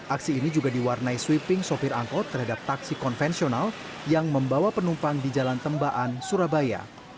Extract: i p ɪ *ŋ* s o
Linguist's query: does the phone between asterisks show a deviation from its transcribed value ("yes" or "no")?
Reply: no